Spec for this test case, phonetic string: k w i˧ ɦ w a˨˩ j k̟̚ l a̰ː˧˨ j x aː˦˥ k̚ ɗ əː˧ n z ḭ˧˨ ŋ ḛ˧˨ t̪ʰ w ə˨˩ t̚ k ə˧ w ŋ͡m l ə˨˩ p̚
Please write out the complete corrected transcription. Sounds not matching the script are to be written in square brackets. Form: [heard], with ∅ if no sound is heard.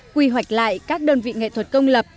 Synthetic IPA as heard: k w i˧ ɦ w a˨˩ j k̟̚ l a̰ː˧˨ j [k] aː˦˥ k̚ ɗ əː˧ n [v] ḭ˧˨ ŋ ḛ˧˨ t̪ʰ w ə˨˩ t̚ k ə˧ w ŋ͡m l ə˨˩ p̚